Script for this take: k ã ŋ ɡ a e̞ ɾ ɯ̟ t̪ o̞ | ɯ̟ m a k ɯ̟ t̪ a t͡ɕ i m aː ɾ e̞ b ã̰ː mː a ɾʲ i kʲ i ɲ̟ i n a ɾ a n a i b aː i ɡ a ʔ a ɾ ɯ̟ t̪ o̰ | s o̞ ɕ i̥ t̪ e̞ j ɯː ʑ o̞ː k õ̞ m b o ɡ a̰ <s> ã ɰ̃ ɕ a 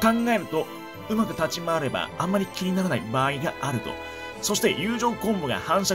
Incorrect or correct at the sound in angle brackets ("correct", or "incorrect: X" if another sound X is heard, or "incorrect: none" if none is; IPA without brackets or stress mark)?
incorrect: h